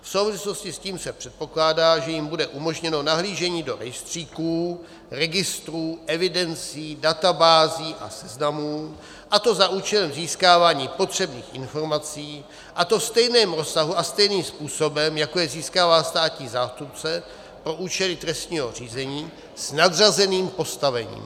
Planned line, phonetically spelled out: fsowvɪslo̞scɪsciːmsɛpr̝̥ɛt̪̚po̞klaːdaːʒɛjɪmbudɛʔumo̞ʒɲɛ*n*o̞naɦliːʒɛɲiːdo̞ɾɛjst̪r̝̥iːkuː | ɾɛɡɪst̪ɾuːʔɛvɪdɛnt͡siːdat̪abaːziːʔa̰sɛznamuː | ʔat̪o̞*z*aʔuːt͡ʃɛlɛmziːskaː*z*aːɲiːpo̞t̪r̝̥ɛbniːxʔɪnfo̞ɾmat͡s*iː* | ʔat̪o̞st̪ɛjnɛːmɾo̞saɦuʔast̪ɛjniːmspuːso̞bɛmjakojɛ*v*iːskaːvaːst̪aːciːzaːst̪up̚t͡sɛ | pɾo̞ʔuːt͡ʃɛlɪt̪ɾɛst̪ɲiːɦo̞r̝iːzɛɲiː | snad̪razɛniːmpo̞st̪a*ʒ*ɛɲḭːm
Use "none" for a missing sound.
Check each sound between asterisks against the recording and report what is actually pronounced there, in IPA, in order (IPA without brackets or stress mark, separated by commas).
n, z, v, iː, z, v